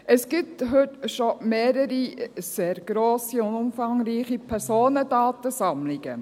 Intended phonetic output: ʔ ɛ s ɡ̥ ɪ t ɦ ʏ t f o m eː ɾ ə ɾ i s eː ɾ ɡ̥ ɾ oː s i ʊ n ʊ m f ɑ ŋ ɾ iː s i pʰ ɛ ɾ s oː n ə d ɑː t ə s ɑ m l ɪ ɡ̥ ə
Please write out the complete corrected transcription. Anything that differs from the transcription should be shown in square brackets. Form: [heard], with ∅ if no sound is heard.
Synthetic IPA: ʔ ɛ s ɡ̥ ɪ t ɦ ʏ t [ʃ] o m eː ɾ ə ɾ i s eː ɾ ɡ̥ ɾ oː s i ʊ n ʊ m f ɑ ŋ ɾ iː [χ] i pʰ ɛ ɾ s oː n ə d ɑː t ə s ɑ m l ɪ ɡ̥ ə

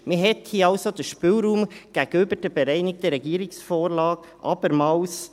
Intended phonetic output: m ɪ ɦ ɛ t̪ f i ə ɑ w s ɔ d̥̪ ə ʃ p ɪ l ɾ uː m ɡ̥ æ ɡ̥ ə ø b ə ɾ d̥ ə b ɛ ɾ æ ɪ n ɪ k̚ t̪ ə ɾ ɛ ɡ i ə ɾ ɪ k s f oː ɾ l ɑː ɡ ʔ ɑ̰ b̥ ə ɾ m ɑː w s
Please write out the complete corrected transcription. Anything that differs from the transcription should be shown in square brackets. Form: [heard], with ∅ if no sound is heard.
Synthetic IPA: m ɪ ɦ ɛ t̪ [h] i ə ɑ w s [o] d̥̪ ə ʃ p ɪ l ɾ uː m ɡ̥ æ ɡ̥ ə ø b ə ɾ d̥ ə b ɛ ɾ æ ɪ n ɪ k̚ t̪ ə ɾ ɛ ɡ i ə ɾ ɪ k s f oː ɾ l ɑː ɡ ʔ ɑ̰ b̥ ə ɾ m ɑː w s

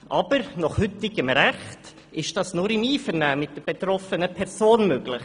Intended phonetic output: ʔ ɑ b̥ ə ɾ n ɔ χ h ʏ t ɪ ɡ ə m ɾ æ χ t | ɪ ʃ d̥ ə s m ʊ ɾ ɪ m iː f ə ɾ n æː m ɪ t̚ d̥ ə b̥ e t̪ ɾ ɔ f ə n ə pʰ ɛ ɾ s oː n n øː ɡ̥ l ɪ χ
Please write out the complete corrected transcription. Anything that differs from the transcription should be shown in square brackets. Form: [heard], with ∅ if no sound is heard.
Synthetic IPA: ʔ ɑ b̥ ə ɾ n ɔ χ h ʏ t ɪ ɡ ə m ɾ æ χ t | ɪ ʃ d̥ [ɑ] s [n] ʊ ɾ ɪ m iː f ə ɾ n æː m ɪ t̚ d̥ ə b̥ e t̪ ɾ ɔ f ə n ə pʰ ɛ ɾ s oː n [m] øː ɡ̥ l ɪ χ

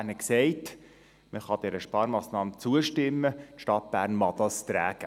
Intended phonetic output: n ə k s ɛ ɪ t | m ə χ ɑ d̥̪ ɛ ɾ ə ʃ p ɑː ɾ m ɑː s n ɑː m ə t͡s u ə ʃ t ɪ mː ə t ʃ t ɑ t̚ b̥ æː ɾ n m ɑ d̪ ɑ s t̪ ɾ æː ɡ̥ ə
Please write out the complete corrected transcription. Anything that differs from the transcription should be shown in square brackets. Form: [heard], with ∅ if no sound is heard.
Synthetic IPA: n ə k s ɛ ɪ t | m ə χ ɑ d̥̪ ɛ ɾ ə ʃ p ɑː ɾ m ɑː s n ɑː m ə t͡s u ə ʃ t ɪ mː ə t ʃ t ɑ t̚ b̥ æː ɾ n m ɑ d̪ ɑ s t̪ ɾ æː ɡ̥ ə

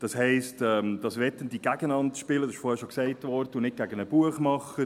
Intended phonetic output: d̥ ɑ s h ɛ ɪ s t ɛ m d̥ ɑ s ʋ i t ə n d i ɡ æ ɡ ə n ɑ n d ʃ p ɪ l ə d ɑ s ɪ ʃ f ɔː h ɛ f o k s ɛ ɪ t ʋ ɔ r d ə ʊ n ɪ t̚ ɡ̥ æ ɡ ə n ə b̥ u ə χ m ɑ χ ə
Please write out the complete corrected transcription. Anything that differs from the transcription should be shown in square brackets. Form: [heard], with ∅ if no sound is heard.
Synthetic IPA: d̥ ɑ s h ɛ ɪ s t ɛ m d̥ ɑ s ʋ [ɛ] t ə n d i ɡ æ ɡ ə n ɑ n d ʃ p ɪ l ə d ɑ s ɪ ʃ f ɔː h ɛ [ʃ] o k s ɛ ɪ t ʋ ɔ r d ə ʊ n ɪ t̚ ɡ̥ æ ɡ ə n ə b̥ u ə χ m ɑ χ ə

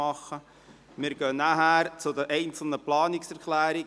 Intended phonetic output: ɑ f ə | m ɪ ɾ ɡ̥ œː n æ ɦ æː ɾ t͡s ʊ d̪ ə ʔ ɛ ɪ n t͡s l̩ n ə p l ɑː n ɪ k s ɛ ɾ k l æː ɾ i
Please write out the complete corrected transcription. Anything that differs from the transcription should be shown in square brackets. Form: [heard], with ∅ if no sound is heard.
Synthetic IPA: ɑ [χ] ə | m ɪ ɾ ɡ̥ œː n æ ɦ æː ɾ t͡s ʊ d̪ ə ʔ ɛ ɪ n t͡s l̩ n ə p l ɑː n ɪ k s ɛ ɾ k l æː ɾ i

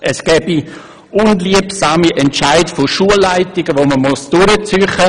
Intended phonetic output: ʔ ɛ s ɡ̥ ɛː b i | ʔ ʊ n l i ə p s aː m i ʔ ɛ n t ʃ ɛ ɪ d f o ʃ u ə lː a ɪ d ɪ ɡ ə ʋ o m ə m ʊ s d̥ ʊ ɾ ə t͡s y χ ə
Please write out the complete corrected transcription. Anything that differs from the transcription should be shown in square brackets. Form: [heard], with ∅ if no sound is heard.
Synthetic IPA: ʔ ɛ s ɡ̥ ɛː b i | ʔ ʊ n l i ə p s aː m i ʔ ɛ n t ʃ [a] ɪ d f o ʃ u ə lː a ɪ [t] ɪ ɡ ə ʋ o m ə m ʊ s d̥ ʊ ɾ ə t͡s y χ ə

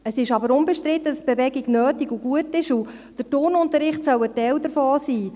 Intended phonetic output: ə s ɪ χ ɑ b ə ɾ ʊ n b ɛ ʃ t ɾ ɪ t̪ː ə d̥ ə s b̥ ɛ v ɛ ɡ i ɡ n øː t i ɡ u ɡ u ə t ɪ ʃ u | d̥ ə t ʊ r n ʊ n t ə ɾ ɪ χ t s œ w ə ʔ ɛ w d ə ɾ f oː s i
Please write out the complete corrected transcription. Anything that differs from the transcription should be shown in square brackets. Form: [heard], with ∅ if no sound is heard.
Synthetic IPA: ə s ɪ [ʃ] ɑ b ə ɾ ʊ n b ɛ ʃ t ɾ ɪ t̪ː ə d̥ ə s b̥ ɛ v ɛ ɡ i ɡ n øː t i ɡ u ɡ u ə t ɪ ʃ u | d̥ ə t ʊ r n ʊ n t ə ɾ ɪ χ t s œ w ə [t] ɛ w d ə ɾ f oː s [iː]

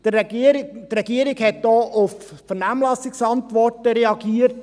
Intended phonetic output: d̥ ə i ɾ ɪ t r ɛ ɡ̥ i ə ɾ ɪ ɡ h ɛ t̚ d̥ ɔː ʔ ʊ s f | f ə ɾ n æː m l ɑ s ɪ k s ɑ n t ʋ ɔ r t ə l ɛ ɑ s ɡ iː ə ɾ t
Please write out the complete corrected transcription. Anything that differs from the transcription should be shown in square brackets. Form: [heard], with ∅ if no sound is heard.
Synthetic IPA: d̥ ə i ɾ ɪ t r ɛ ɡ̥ i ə ɾ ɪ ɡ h ɛ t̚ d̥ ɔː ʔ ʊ [∅] f | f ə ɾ n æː m l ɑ s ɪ k s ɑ n t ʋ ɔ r t ə [ɾ] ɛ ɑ [∅] ɡ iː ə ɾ t

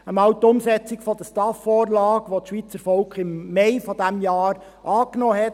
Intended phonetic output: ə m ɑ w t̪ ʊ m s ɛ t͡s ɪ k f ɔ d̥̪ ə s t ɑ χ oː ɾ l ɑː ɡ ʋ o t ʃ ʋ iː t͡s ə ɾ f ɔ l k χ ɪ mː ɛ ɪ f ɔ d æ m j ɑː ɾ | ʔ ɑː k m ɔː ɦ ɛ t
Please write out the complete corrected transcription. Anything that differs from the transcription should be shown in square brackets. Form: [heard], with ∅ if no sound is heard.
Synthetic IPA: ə m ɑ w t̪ ʊ m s ɛ t͡s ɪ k f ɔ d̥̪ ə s t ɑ [f] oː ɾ l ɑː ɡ ʋ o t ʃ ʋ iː t͡s ə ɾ f ɔ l k χ ɪ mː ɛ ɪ f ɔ d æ m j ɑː ɾ | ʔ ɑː k [n] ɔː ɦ ɛ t

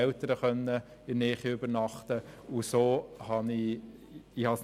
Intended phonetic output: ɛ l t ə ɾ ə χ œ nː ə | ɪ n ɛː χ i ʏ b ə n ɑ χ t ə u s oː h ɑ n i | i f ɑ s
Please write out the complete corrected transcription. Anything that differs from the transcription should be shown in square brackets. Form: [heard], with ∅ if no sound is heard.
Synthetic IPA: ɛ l t ə ɾ ə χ œ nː ə | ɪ n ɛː χ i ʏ b ə n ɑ χ t ə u s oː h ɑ n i | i [h] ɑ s

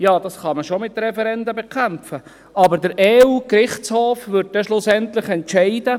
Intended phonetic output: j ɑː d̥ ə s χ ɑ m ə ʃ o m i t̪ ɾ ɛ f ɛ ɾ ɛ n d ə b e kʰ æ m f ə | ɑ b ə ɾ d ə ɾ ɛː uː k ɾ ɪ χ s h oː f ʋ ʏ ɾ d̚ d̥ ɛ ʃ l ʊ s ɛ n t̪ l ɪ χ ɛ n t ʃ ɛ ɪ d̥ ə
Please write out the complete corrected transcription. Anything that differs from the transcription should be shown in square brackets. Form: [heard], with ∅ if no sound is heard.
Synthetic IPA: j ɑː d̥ [ɑ] s χ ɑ m ə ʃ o m [ɪ] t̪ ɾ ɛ f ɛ ɾ ɛ n d ə b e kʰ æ m f ə | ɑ b ə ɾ d ə ɾ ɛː uː k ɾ ɪ χ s h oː f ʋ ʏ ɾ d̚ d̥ ɛ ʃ l ʊ s ɛ n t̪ l ɪ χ ɛ n t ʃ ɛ ɪ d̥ ə

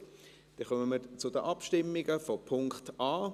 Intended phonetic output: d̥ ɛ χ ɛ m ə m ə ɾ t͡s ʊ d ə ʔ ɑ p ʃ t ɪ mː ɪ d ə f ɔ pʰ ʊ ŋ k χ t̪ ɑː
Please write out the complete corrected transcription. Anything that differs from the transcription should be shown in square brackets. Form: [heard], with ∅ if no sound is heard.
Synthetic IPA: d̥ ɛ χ [œ] m ə m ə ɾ t͡s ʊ d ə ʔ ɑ p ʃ t ɪ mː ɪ [ɡ] ə f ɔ pʰ ʊ ŋ k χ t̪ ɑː

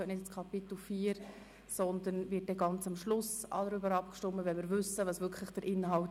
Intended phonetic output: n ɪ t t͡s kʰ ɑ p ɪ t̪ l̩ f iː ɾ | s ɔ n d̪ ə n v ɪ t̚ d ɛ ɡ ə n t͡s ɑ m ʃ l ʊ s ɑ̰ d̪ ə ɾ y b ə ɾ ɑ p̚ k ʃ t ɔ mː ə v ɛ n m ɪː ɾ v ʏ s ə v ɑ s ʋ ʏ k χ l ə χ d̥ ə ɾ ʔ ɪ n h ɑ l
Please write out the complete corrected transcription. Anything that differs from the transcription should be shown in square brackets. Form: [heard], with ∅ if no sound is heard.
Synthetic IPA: n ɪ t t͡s kʰ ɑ p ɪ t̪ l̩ f iː ɾ | s ɔ n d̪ ə n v ɪ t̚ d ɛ ɡ [ɑ] n t͡s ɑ m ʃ l ʊ s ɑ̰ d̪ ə ɾ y b ə ɾ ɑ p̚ k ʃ t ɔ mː ə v ɛ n m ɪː ɾ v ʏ s ə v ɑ s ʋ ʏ k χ l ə χ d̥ ə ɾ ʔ ɪ n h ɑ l

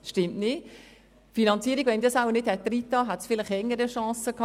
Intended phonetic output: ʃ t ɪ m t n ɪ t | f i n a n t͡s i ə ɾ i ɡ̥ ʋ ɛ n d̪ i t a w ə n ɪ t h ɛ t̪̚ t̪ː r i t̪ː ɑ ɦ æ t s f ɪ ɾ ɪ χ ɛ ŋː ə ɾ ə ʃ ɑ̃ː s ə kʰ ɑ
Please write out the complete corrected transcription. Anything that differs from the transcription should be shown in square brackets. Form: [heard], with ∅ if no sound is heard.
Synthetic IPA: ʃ t ɪ m t n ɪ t | f i n [ɑ] n t͡s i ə ɾ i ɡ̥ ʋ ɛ n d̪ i [s] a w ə n ɪ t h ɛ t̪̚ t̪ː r i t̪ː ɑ ɦ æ t s f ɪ [l] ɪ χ ɛ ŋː ə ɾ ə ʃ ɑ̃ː s ə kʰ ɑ

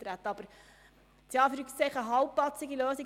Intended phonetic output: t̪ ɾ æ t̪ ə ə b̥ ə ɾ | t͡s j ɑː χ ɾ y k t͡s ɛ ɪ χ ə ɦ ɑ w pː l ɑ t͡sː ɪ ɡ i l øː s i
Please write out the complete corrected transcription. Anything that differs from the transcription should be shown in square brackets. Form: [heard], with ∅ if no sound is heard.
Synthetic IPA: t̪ ɾ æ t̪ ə [ɑ] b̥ ə ɾ | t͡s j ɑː [f] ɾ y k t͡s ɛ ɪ χ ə ɦ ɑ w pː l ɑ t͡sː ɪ ɡ i l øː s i

